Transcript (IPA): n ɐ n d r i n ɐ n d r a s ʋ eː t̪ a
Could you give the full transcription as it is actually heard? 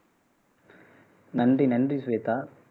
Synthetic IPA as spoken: n ɐ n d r i n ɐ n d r i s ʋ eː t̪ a